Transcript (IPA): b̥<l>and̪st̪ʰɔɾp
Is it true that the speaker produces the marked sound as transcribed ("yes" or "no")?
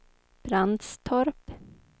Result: no